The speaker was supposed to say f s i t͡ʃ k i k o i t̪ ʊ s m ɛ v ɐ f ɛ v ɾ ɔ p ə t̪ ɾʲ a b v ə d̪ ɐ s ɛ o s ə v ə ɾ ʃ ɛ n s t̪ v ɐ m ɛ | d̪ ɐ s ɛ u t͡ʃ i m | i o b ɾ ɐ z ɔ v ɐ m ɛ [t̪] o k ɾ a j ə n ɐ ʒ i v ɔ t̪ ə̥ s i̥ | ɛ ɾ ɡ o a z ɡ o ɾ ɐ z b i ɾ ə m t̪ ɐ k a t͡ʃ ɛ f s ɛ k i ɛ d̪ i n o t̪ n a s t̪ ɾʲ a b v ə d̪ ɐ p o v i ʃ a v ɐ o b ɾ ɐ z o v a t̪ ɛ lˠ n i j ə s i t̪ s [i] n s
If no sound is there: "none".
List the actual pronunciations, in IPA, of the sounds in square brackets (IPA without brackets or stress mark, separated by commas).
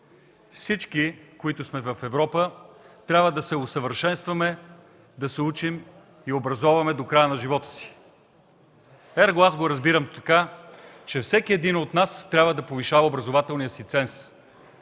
d̪, ɛ